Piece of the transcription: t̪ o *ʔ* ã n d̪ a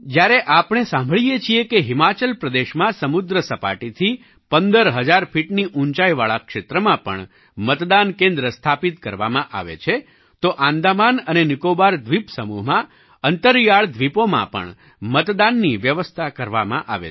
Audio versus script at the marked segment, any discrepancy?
no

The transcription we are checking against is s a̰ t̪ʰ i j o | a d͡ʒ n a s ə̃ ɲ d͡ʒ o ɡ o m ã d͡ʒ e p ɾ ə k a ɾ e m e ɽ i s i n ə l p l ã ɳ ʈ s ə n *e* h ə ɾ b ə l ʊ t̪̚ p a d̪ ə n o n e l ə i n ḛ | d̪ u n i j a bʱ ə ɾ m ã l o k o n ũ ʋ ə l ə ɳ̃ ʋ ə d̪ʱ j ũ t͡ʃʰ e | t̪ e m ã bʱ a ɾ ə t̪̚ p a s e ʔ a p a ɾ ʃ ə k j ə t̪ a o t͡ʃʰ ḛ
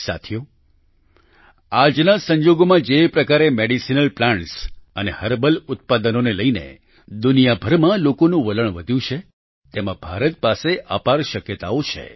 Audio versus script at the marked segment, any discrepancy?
no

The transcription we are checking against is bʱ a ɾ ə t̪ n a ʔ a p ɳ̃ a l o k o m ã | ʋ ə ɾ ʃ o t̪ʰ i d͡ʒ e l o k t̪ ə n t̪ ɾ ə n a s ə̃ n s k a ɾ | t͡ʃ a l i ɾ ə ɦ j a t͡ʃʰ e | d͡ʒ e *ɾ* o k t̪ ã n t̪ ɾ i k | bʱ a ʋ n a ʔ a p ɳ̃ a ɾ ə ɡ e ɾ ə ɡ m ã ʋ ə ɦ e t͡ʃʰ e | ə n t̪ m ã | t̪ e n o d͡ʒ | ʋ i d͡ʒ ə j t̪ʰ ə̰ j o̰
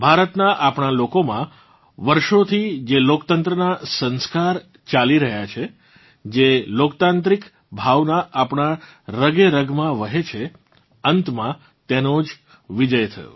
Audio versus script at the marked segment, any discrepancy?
yes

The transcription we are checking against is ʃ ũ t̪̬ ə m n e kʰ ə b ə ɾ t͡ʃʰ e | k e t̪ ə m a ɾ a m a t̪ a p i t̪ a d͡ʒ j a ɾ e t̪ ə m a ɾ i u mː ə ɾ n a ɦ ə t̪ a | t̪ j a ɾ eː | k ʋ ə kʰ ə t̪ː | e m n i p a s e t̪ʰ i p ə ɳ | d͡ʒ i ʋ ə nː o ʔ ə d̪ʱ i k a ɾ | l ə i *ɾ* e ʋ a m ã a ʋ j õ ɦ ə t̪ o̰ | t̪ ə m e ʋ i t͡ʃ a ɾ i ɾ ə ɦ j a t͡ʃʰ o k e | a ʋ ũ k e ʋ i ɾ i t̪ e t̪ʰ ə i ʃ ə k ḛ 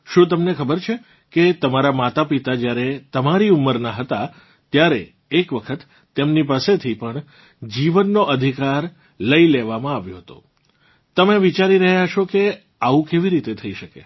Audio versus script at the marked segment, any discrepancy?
yes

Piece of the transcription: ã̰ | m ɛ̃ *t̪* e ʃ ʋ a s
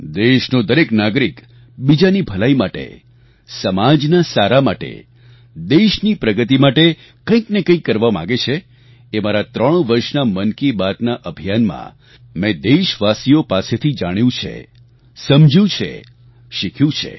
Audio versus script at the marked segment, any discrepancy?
yes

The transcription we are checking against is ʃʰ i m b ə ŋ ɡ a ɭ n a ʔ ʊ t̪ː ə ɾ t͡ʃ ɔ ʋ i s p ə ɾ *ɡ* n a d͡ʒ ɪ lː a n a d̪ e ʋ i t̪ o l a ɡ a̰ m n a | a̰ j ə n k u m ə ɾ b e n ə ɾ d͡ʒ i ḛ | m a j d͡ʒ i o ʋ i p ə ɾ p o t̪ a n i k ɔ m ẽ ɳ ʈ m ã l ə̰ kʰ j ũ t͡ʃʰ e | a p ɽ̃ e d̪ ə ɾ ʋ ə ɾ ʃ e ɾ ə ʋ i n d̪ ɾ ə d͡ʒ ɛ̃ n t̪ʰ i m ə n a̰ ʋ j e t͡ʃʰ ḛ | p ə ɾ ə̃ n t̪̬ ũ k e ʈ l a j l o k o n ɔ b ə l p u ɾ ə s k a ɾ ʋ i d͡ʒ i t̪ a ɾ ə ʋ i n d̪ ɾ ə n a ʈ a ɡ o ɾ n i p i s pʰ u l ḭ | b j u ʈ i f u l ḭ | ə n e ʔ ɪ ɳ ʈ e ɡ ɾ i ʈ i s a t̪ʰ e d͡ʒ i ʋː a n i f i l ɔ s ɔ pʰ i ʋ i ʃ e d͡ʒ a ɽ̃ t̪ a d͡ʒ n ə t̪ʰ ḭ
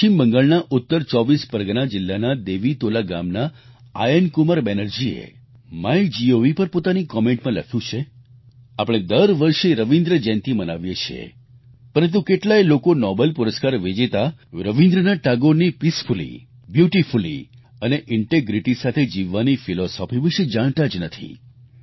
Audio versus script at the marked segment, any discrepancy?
no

